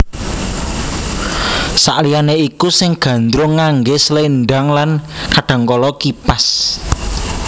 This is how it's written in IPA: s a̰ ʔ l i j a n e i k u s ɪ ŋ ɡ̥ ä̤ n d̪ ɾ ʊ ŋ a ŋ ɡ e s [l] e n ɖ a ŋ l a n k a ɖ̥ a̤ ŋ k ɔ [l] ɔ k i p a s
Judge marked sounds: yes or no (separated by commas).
yes, yes